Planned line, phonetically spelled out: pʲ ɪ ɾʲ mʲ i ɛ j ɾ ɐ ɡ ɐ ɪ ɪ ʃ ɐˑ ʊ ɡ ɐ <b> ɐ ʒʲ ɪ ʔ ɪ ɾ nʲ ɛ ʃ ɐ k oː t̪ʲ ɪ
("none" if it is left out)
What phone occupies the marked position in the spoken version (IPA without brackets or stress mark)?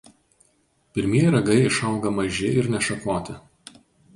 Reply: m